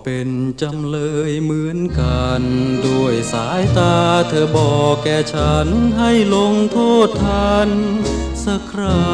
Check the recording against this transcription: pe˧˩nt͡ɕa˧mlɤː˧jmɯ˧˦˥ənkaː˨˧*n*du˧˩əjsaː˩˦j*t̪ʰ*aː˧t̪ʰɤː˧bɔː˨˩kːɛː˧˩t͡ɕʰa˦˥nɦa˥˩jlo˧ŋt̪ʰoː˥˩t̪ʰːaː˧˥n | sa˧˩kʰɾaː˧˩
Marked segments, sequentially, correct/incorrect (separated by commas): correct, incorrect